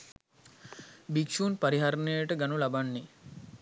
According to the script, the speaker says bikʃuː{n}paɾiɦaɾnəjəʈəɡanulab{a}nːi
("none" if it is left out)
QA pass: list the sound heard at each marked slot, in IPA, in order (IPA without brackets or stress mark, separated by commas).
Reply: n, a